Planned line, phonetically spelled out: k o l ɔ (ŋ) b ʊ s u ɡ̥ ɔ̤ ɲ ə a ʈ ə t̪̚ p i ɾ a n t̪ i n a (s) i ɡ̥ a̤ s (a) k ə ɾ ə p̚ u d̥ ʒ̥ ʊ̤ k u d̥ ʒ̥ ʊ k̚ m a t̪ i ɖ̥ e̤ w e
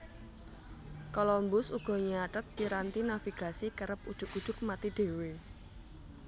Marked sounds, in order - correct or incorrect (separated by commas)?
incorrect, incorrect, incorrect